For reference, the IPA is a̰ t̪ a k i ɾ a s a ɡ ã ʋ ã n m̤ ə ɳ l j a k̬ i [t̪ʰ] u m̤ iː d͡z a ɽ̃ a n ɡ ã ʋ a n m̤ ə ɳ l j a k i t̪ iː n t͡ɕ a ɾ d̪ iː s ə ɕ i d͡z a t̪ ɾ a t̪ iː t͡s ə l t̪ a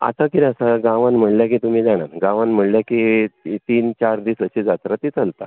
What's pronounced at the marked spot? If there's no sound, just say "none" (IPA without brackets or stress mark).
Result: t̪